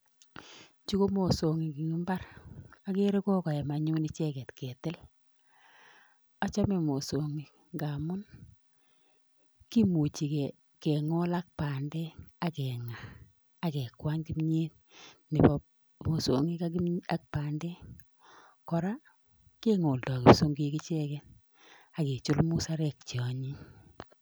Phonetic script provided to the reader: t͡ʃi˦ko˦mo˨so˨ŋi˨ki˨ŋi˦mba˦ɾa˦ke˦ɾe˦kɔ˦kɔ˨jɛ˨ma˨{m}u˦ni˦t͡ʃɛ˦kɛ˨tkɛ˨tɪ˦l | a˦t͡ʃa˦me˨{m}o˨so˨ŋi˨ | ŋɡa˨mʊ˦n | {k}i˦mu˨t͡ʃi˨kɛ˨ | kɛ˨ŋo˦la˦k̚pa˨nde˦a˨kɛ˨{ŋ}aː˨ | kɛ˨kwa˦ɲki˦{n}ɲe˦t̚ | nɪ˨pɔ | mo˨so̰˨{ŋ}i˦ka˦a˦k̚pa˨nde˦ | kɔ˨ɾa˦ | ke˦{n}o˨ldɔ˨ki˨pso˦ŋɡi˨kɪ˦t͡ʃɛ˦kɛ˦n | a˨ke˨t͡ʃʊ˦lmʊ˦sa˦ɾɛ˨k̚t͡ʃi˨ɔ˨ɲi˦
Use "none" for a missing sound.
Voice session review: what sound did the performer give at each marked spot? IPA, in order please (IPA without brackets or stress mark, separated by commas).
ɲ, m, k, ŋ, m, ŋ, ŋ